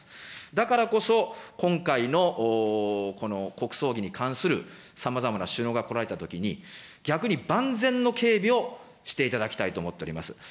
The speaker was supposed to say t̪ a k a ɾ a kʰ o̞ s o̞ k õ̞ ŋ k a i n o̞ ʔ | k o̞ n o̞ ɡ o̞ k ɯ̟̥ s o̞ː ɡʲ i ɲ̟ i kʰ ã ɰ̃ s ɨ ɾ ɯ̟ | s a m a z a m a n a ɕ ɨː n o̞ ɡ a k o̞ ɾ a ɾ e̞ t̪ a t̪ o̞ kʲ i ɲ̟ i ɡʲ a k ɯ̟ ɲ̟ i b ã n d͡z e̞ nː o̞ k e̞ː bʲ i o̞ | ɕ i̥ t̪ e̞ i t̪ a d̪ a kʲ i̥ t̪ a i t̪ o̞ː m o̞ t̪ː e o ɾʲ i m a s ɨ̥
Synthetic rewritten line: d̪ a k a ɾ a k o̞ s o̞ k õ̞ ŋ k a i n o̞ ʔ | k o̞ n o̞ k o̞ k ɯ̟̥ s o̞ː ɡʲ i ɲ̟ i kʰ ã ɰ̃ s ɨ ɾ ɯ̟ | s a m a z a m a n a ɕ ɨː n o̞ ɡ a k o̞ ɾ a ɾ e̞ t̪ a t̪ o̞ kʲ i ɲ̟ i ɡʲ a k ɯ̟ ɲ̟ i b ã n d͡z ẽ̞ nː o̞ k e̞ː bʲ i o̞ | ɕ i̥ t̪ e̞ i t̪ a d̪ a kʲ i̥ t̪ a i t̪ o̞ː m o̞ t̪ː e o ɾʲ i m a s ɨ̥